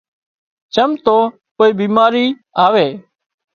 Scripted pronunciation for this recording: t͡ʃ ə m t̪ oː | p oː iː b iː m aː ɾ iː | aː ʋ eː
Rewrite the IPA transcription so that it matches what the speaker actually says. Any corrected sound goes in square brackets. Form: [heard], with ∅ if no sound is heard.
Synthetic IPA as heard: t͡ʃ ə m t̪ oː | p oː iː b iː m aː ɾ iː | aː ʋ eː